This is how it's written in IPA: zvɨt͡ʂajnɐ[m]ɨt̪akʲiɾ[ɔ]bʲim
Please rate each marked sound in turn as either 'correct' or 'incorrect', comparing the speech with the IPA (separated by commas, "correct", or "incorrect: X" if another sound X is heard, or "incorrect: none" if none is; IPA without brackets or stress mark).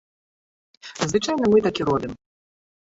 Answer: correct, correct